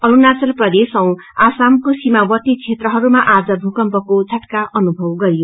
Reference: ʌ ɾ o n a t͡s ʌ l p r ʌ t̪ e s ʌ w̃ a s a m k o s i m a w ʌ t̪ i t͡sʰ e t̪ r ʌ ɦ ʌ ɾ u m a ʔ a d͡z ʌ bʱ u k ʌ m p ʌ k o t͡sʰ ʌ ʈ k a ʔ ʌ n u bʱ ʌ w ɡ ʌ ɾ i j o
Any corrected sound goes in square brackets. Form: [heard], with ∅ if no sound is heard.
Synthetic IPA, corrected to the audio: ʌ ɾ [u] n a t͡s ʌ l p r ʌ [d̪] e s ʌ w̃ a s a m k o s i m a w ʌ t̪ i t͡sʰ e t̪ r ʌ ɦ ʌ ɾ u m a ʔ a d͡z ʌ bʱ u k ʌ m p ʌ k o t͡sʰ ʌ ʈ k a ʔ ʌ n u bʱ ʌ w ɡ ʌ ɾ i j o